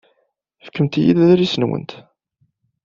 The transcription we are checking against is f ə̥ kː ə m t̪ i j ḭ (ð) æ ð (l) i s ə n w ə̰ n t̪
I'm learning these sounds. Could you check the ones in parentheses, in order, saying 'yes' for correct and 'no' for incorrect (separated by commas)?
yes, no